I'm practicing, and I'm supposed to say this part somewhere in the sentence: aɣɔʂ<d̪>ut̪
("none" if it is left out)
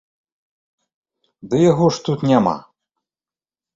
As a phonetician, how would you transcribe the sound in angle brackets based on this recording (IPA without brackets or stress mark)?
t̪